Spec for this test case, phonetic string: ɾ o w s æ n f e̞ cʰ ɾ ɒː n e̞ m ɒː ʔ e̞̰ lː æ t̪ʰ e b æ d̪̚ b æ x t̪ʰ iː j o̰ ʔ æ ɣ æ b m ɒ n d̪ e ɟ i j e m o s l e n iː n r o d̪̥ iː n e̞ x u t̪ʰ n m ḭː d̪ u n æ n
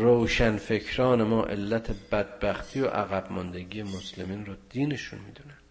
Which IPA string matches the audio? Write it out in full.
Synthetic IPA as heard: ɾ o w ʃ æ n f e̞ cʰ ɾ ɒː n e̞ m ɒː ʔ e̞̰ lː æ t̪ʰ e b æ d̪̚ b æ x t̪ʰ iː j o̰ ʔ æ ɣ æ b m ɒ n d̪ e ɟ i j e m o s l e m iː n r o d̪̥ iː n e̞ ʃ u n m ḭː d̪ u n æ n